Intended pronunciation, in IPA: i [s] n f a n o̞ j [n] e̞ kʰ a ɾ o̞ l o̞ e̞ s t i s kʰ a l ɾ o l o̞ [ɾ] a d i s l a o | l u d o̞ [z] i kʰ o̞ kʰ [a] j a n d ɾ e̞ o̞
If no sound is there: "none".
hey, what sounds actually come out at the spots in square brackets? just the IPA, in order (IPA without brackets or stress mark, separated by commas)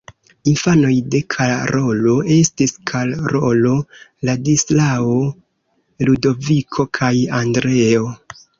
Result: none, d, l, v, a